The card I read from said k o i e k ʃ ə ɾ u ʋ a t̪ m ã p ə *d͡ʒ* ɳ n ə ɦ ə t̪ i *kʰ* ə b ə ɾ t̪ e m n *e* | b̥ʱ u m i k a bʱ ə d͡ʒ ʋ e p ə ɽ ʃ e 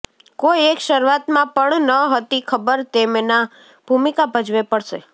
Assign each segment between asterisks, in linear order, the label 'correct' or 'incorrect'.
incorrect: none, correct, incorrect: a

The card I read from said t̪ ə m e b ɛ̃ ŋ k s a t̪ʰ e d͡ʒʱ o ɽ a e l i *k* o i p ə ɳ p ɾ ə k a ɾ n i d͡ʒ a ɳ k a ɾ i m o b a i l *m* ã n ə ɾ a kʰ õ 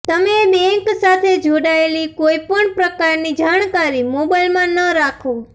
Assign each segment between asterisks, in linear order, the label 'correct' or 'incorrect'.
correct, correct

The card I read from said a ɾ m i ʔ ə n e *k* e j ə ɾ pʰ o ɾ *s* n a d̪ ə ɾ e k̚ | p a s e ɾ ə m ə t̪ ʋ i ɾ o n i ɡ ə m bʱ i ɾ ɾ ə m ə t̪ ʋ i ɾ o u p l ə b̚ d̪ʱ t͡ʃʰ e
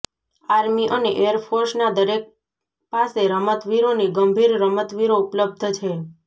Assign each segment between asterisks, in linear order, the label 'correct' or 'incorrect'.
incorrect: ʔ, correct

